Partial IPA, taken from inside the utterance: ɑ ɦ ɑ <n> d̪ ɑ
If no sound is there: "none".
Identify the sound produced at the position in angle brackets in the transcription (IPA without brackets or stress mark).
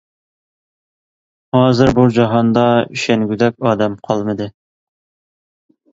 n